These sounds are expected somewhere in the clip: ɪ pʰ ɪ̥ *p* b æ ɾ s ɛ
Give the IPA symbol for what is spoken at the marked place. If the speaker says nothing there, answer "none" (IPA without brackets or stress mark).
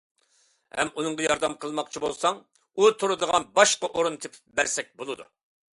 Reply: p